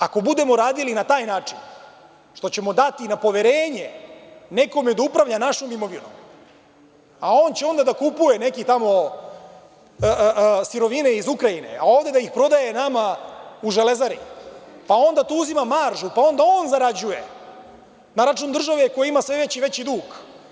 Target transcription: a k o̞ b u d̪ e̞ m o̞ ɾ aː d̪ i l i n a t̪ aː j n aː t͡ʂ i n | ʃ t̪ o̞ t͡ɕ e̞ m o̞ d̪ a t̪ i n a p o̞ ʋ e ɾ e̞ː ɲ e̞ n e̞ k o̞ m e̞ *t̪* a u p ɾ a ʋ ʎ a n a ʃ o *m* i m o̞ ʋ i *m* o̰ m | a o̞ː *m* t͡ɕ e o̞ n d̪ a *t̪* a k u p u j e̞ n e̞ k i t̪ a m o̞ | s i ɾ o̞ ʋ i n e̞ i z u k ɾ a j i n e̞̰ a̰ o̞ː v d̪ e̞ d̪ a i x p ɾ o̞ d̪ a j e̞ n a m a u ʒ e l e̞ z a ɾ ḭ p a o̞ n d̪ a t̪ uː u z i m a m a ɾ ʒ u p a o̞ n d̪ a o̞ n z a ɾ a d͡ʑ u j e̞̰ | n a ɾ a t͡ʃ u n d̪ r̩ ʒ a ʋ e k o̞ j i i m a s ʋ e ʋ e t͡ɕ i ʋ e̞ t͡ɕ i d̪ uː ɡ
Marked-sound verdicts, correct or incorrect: incorrect: d̪, correct, incorrect: n, incorrect: n, incorrect: d̪

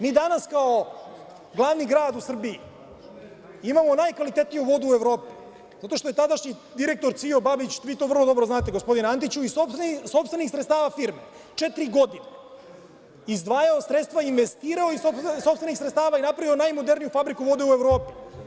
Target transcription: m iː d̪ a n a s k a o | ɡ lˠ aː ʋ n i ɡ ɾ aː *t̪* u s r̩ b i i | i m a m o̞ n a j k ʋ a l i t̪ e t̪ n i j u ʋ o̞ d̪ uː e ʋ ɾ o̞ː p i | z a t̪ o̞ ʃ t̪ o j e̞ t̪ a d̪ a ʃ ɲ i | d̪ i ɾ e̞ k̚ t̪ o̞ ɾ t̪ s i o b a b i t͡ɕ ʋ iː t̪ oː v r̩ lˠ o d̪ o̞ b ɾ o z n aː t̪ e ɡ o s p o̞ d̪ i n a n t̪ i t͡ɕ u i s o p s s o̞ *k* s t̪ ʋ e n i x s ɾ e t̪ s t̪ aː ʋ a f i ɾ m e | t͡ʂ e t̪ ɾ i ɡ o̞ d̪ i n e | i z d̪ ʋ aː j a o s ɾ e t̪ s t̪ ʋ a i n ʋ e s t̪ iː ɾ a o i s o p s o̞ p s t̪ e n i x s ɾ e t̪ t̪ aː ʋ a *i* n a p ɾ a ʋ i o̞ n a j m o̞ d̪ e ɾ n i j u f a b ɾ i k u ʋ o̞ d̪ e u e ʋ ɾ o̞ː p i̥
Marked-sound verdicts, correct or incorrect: incorrect: d̪, incorrect: p, correct

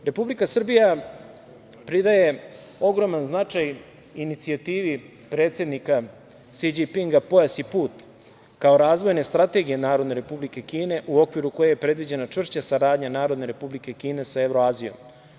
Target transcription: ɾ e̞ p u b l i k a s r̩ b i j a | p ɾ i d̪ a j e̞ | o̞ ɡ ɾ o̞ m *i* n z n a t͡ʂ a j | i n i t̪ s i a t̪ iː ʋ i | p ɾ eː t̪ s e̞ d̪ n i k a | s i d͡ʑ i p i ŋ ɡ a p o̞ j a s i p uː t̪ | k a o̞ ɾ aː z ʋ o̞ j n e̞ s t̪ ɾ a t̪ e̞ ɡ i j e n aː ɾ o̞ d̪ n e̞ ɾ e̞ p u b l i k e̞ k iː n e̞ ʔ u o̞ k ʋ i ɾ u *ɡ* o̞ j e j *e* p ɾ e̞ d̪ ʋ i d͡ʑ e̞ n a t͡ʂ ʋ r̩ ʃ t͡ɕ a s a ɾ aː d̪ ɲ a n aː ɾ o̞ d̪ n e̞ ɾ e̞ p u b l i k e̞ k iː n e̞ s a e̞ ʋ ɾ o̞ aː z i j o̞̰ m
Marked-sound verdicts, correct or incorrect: incorrect: a, incorrect: k, correct

